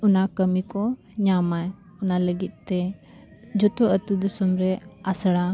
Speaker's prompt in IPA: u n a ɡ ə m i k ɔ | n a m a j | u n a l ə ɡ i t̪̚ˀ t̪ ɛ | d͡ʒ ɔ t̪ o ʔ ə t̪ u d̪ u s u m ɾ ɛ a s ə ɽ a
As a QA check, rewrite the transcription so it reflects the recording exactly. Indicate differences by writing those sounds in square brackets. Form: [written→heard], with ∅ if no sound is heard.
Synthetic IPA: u n a [ɡ→k] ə m i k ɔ | [n→ɲ] a m a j | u n a l ə ɡ i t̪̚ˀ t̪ ɛ | d͡ʒ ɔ t̪ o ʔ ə t̪ u d̪ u s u m ɾ ɛ a s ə ɽ a